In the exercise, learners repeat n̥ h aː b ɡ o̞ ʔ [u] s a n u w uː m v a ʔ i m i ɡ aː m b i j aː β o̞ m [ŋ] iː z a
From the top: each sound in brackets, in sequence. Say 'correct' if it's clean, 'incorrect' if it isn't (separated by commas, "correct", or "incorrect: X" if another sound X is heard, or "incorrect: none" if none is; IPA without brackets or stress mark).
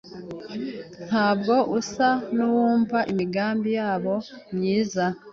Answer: correct, incorrect: ɲ